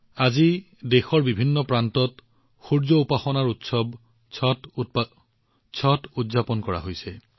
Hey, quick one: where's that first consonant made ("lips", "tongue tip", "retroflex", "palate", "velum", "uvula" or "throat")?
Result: tongue tip